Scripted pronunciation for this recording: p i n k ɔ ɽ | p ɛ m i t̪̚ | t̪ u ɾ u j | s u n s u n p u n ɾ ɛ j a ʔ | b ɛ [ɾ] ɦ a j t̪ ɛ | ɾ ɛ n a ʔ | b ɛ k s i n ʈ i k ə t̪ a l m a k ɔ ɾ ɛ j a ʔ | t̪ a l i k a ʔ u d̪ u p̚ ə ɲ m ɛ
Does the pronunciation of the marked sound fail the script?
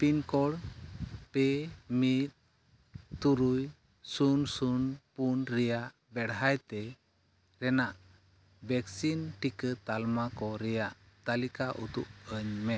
yes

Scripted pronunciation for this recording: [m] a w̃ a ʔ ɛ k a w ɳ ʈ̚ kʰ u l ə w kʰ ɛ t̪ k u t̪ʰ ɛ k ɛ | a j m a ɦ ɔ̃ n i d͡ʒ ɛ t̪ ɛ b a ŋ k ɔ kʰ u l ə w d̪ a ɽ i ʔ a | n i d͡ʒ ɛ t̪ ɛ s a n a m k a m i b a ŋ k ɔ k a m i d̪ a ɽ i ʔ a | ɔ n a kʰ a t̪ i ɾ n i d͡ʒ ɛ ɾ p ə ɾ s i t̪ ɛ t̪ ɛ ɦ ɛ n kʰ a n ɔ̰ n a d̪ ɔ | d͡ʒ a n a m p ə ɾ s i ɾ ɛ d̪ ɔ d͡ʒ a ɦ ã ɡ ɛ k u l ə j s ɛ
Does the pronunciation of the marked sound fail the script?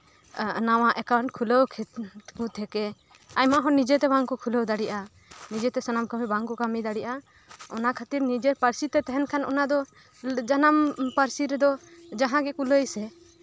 yes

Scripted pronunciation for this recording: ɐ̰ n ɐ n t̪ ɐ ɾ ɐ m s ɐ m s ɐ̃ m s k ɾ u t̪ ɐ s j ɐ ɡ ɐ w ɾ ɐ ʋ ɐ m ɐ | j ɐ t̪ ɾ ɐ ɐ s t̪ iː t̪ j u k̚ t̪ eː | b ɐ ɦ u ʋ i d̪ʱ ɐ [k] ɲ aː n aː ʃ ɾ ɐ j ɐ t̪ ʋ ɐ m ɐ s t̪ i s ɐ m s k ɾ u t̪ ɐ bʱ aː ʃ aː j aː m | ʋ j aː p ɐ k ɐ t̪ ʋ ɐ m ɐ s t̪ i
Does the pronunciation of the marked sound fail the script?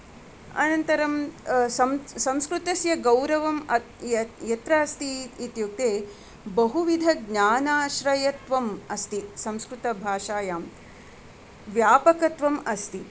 yes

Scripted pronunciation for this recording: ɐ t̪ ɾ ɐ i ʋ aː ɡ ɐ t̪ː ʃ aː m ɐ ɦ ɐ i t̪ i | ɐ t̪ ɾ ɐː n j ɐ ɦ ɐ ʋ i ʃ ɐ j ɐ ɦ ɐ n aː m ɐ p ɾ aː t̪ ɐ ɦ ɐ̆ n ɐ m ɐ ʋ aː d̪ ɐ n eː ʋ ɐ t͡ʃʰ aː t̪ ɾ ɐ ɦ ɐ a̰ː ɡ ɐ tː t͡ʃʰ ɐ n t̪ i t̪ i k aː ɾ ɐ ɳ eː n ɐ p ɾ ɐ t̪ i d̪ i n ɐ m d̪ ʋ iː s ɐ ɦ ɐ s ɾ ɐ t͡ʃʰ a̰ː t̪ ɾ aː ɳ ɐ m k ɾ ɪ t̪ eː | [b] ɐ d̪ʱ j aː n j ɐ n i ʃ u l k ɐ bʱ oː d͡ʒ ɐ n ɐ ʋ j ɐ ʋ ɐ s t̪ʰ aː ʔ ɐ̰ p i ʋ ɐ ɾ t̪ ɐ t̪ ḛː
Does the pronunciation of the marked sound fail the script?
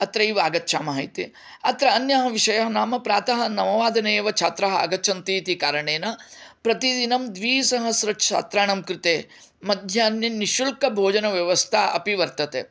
yes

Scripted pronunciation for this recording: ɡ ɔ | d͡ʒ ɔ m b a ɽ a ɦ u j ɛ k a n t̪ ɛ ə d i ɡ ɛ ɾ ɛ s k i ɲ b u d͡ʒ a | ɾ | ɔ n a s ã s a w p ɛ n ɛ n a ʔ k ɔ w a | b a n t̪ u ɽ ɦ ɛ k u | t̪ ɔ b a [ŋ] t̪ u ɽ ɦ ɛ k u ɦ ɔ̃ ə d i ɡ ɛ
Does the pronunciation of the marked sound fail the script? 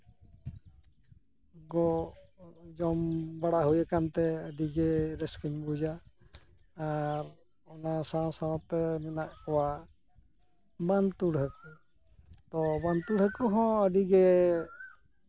yes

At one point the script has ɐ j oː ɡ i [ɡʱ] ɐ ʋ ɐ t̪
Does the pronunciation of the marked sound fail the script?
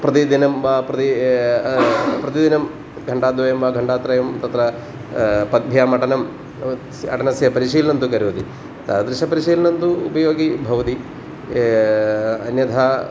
yes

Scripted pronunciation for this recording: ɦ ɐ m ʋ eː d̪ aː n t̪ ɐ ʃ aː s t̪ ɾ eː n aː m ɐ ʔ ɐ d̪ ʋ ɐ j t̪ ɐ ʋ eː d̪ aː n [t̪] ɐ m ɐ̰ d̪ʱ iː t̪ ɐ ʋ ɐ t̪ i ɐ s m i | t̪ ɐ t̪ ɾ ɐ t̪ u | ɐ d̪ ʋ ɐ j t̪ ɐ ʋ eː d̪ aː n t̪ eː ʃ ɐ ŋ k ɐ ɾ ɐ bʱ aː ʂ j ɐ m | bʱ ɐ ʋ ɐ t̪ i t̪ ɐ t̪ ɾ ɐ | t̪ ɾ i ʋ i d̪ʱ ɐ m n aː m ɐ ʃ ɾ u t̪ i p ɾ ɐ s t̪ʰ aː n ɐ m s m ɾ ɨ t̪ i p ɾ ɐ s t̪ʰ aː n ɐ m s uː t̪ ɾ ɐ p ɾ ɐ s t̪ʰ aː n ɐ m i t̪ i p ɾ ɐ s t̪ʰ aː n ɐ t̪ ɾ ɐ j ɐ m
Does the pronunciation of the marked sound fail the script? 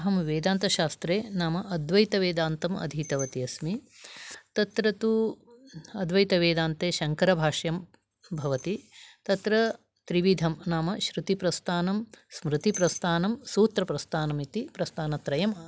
no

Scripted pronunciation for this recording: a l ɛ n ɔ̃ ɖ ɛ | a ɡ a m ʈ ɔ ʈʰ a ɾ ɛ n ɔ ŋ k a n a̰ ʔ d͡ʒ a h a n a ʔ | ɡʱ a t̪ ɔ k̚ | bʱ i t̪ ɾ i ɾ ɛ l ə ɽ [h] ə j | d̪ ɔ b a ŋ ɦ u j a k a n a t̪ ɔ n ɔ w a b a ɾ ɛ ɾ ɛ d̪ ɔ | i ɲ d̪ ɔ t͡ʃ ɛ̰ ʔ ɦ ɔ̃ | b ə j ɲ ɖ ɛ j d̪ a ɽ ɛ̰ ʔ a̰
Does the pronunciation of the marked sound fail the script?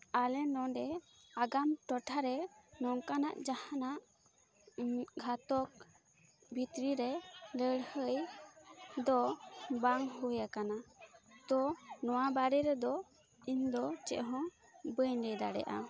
no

